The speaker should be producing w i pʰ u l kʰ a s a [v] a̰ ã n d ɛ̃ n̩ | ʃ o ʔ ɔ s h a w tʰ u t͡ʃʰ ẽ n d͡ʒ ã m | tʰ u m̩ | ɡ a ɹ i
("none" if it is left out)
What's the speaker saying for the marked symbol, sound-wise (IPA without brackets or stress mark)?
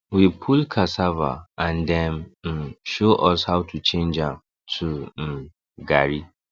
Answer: v